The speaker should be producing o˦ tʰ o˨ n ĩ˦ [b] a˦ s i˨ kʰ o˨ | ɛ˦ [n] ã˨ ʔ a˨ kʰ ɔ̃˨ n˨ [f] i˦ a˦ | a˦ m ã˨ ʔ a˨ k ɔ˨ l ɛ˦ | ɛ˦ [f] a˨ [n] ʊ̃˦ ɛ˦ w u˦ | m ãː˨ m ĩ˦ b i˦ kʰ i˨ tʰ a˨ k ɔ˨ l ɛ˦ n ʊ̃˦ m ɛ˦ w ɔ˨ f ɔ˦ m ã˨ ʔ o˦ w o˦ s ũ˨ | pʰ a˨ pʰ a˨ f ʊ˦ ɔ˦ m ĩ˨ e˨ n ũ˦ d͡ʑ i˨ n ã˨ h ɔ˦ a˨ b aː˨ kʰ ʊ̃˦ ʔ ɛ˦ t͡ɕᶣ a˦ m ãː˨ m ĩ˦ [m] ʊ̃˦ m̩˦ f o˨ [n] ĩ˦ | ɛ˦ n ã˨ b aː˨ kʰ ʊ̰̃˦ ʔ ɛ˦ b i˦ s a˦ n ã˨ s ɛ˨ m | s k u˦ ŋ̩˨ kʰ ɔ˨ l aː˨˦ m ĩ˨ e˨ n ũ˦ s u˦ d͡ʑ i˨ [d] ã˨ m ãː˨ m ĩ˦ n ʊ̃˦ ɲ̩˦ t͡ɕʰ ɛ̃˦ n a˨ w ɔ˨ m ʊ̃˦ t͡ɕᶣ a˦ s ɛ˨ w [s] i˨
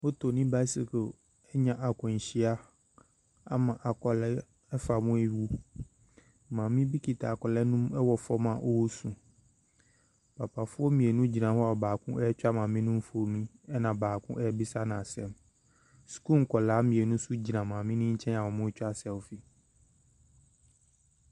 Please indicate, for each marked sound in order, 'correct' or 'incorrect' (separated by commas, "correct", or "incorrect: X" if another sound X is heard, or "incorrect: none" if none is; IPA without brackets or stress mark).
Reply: correct, incorrect: ɲ, incorrect: ɕ, correct, incorrect: m, incorrect: n, incorrect: m, incorrect: n, incorrect: f